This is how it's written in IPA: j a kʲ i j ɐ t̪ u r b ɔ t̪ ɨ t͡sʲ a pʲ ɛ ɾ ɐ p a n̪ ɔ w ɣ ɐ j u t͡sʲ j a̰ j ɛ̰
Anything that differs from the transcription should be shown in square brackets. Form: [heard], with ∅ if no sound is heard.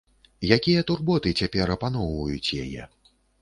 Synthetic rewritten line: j a kʲ i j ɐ t̪ u r b ɔ t̪ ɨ t͡sʲ a pʲ ɛ ɾ ɐ p a n̪ ɔ w [v] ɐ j u t͡sʲ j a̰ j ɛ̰